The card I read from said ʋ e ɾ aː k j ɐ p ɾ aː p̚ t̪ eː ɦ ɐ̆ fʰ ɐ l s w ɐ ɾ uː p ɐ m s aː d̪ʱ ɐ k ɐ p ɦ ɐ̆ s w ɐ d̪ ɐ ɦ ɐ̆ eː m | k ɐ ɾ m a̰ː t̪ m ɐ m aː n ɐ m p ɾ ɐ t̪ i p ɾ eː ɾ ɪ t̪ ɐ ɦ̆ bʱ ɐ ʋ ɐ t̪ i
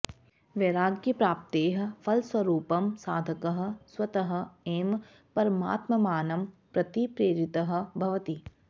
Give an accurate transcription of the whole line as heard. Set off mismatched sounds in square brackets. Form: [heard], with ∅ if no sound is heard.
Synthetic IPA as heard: ʋ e ɾ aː [ɡ] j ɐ p ɾ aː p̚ t̪ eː ɦ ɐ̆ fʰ ɐ l s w ɐ ɾ uː p ɐ m s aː d̪ʱ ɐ k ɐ [∅] ɦ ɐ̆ s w ɐ [t̪] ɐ ɦ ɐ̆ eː m | [p] ɐ ɾ m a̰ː t̪ m ɐ m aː n ɐ m p ɾ ɐ t̪ i p ɾ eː ɾ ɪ t̪ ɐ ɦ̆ bʱ ɐ ʋ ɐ t̪ i